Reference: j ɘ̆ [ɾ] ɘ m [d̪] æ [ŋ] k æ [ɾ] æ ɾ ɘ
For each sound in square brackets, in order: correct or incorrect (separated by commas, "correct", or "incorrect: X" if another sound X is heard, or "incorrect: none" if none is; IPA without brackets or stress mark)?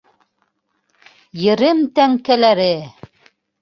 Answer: correct, incorrect: t̪, correct, incorrect: l